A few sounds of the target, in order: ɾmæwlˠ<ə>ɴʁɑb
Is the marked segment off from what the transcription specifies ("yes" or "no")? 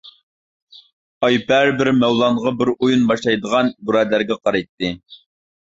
yes